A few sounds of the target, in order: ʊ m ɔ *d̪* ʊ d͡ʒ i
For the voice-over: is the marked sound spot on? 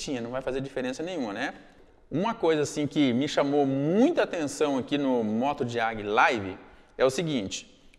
no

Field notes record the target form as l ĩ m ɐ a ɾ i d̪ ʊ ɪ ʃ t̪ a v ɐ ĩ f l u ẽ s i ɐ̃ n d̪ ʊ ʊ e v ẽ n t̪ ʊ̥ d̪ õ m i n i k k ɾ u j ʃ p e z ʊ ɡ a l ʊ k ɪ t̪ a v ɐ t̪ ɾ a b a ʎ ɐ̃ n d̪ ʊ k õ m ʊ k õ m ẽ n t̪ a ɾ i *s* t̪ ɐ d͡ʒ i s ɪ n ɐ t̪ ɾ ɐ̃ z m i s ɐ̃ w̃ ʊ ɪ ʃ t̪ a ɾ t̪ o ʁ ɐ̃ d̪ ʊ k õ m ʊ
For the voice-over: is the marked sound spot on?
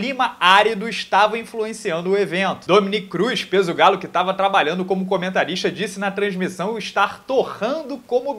no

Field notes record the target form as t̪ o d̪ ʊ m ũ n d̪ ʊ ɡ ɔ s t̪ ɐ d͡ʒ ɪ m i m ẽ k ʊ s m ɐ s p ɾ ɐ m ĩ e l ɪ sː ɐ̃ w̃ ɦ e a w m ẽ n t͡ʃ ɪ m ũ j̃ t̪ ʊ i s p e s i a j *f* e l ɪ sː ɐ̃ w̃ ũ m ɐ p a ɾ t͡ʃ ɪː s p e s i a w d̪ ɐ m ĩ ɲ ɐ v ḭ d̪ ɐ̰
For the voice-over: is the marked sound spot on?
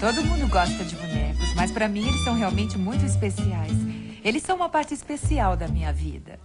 no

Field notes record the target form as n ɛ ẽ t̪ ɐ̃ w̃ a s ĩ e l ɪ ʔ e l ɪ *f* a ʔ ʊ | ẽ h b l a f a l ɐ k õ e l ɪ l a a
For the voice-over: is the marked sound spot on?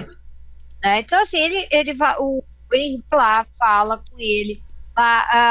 no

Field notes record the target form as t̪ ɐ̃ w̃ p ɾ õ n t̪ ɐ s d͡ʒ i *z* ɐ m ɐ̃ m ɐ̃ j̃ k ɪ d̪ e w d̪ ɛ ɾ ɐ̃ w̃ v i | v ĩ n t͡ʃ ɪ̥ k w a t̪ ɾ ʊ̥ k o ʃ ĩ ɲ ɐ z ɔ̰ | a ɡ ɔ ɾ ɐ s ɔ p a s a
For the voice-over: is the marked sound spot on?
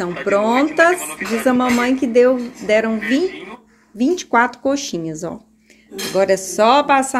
yes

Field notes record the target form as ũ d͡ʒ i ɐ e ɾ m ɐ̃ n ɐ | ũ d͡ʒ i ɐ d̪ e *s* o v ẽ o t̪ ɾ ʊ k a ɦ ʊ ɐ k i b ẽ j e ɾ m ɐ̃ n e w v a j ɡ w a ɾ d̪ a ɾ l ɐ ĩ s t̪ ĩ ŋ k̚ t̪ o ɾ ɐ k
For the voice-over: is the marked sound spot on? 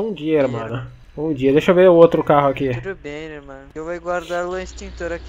no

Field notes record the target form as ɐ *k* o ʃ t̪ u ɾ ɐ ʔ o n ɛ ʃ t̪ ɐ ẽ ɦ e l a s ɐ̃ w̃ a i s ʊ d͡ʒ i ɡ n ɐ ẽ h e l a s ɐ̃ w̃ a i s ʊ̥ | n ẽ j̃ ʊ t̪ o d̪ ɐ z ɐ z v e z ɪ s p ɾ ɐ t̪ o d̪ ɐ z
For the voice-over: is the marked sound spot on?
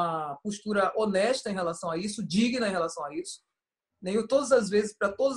no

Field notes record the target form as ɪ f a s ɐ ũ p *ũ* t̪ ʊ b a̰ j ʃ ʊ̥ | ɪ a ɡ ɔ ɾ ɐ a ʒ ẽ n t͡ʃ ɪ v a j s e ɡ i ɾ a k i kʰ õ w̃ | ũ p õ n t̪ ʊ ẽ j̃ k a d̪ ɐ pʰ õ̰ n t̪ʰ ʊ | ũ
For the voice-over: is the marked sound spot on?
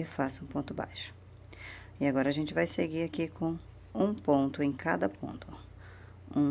no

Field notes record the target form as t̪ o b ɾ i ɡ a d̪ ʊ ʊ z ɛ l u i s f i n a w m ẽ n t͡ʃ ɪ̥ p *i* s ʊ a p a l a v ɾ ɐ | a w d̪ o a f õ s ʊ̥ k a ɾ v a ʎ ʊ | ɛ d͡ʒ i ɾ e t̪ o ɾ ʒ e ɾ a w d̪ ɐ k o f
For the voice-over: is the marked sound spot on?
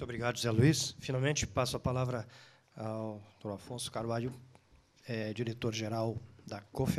no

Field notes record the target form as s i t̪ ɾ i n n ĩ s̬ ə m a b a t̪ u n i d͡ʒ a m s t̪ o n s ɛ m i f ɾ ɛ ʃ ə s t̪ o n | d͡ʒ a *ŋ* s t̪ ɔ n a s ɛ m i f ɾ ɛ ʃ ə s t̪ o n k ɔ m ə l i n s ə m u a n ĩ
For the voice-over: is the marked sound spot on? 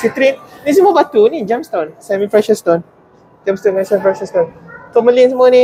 no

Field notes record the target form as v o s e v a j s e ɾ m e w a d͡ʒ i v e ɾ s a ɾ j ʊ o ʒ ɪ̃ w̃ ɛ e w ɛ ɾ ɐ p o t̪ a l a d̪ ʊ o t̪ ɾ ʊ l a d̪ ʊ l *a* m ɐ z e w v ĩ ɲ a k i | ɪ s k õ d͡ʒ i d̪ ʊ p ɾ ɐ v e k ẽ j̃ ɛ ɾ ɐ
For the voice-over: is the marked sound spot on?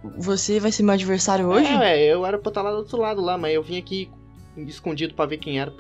yes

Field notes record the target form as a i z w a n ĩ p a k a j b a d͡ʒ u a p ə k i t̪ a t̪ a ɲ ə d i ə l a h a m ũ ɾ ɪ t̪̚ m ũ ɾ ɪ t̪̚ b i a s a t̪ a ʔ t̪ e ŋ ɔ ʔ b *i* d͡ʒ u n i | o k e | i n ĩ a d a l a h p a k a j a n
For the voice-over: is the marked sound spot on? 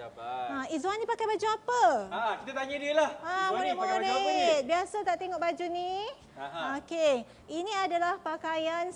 no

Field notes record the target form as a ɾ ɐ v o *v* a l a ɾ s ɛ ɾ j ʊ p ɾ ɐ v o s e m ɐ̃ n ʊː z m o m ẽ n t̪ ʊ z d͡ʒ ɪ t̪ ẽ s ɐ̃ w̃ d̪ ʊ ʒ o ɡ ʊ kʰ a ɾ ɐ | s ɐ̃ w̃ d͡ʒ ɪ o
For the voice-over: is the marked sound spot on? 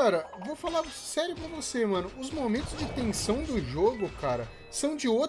no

